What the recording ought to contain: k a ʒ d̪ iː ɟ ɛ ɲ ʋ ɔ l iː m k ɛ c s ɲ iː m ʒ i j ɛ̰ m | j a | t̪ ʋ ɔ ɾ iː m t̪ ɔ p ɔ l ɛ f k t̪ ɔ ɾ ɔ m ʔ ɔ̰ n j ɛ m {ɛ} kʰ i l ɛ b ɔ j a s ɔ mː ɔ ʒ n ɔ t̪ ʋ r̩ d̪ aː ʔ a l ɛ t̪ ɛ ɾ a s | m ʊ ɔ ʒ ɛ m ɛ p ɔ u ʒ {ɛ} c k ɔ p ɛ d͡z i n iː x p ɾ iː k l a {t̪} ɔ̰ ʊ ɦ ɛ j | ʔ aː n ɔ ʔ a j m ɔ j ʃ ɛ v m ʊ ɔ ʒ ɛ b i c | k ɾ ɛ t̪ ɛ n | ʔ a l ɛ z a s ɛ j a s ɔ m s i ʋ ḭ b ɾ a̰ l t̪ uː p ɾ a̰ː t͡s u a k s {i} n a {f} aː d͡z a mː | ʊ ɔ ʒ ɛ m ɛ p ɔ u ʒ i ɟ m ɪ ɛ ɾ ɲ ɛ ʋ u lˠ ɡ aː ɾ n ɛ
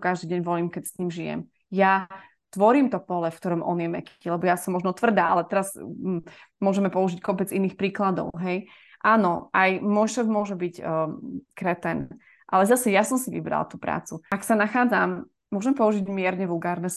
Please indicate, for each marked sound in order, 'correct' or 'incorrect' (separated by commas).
correct, incorrect, incorrect, incorrect, incorrect